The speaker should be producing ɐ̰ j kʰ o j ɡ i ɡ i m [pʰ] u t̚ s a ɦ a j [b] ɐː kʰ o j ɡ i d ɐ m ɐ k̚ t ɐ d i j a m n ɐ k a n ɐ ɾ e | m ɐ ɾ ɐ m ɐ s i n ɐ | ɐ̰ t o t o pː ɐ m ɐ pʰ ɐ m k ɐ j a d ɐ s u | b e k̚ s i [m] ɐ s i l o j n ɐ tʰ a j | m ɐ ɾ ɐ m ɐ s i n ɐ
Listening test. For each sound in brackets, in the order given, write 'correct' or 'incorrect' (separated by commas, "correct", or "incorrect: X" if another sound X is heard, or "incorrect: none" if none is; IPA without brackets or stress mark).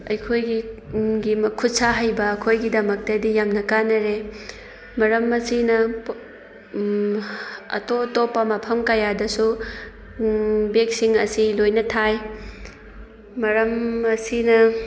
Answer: incorrect: kʰ, correct, incorrect: ŋ